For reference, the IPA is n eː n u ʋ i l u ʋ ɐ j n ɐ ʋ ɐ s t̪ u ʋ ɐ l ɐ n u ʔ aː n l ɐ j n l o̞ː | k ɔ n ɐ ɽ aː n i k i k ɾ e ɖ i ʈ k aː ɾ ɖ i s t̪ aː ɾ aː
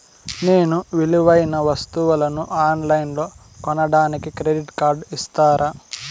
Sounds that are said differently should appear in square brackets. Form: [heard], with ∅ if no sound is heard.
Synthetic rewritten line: n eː n u ʋ i l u ʋ ɐ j n ɐ ʋ ɐ s t̪ u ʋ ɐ l ɐ n u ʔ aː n l ɐ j n l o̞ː | k ɔ n ɐ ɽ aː n i k i k ɾ e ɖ i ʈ k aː ɾ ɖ i s t̪ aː ɾ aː